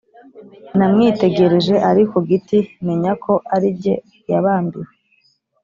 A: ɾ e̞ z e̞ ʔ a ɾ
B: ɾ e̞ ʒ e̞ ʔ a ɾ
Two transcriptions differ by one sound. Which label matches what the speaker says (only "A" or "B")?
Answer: B